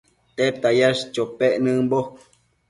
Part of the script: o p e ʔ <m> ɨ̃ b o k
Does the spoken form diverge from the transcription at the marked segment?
yes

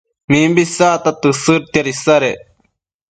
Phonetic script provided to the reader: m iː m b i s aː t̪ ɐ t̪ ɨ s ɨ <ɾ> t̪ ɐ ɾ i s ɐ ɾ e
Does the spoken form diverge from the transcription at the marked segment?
no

